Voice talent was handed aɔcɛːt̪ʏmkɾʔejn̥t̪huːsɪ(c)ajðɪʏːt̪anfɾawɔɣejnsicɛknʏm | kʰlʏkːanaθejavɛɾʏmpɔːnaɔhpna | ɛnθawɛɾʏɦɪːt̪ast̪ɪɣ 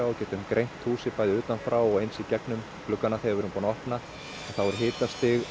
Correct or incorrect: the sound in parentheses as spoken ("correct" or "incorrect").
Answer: incorrect